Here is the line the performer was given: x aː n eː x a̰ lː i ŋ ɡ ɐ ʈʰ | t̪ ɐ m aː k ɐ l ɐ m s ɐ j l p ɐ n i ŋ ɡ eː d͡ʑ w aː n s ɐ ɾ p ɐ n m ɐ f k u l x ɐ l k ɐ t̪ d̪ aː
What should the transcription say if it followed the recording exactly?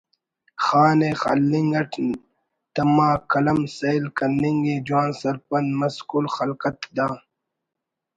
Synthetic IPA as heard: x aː n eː x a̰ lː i ŋ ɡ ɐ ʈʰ | t̪ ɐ m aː k ɐ l ɐ m s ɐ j l k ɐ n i ŋ ɡ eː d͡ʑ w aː n s ɐ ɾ p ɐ n m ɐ s k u l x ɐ l k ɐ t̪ d̪ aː